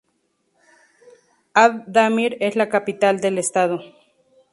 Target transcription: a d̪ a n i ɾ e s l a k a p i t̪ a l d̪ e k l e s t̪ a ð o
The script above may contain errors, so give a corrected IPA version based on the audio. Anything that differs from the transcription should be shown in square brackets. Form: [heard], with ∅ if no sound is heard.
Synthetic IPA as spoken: a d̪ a [m] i ɾ e s l a k a p i t̪ a l d̪ e [∅] l e s t̪ a ð o